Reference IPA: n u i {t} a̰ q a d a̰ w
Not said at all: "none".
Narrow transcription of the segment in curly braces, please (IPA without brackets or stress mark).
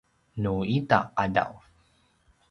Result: t